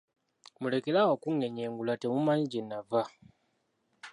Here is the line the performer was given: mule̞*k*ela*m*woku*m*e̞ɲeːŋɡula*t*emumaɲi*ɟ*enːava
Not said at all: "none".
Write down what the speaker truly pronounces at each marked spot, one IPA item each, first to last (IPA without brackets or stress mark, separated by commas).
k, none, ŋ, t, ɟ